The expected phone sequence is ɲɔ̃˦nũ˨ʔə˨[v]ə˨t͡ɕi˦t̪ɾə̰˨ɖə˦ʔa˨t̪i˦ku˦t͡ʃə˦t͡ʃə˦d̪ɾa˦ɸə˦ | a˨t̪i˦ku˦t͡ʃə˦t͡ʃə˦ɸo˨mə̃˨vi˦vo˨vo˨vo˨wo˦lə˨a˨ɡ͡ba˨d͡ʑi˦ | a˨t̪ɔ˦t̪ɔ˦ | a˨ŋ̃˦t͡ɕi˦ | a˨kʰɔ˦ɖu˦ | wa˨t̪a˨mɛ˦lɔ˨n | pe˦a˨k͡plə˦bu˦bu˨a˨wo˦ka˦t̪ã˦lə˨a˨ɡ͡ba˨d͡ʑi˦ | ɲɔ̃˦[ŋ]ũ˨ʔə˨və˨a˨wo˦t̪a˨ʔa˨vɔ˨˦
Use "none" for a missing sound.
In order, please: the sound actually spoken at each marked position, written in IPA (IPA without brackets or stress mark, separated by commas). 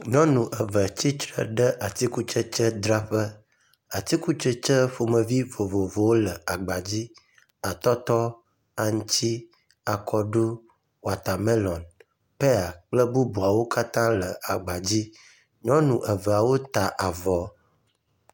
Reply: v, n